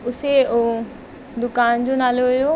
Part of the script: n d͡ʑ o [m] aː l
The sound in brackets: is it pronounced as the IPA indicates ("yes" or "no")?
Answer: no